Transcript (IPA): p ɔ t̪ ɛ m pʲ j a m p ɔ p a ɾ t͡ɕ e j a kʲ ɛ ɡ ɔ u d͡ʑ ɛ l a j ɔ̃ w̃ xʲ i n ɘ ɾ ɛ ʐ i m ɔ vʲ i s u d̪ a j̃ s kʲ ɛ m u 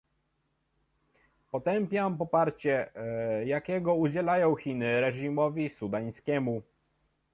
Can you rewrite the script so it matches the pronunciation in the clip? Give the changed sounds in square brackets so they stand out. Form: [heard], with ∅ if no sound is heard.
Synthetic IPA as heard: p ɔ t̪ ɛ m pʲ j a m p ɔ p a ɾ t͡ɕ [ɛ] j a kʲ ɛ ɡ ɔ u d͡ʑ ɛ l a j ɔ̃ w̃ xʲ i n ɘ ɾ ɛ ʐ i m ɔ vʲ i s u d̪ a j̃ s kʲ ɛ m u